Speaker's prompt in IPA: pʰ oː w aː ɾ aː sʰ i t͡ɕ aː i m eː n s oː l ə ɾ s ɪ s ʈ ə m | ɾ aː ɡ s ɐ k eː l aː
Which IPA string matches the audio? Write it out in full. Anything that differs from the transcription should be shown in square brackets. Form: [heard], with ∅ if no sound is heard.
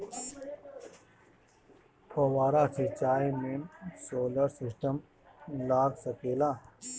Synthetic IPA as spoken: pʰ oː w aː ɾ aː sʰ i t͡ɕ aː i m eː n s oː l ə ɾ s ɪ s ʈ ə m | [l] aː ɡ s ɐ k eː l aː